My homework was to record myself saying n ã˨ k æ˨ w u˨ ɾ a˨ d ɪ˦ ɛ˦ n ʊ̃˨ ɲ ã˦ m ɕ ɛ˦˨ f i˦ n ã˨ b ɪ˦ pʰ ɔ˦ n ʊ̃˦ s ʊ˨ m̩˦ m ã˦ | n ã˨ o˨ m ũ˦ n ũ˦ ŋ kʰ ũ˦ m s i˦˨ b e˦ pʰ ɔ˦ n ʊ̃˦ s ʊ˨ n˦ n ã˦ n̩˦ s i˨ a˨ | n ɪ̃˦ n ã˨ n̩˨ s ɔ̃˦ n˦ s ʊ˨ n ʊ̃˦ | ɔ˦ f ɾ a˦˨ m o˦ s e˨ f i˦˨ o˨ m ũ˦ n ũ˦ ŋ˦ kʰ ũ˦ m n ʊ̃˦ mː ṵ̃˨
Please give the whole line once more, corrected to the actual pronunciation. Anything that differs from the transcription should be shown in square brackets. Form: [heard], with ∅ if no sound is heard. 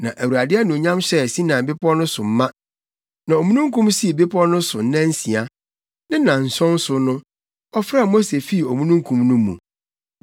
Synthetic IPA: n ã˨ [ʔ] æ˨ w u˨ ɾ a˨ d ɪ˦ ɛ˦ n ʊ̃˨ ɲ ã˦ m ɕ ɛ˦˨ [s] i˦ n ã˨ b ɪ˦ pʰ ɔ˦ n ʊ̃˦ s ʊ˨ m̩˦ m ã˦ | n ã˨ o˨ m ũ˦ n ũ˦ ŋ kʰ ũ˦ m s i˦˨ b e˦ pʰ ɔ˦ n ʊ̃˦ s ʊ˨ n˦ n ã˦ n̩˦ s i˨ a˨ | n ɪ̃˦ n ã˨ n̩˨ s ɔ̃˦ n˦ s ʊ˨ n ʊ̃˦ | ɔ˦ f ɾ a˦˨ m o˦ s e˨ f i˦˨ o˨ m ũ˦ n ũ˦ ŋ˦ kʰ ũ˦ m n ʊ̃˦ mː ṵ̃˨